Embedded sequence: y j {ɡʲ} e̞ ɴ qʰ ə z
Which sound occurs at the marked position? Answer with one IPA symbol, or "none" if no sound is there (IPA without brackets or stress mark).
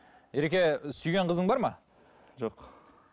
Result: ɡʲ